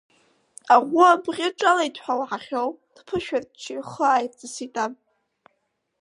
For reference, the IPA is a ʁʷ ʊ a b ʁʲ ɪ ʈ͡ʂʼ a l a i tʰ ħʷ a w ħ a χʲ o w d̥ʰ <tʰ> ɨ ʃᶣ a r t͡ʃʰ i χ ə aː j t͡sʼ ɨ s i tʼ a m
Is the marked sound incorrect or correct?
incorrect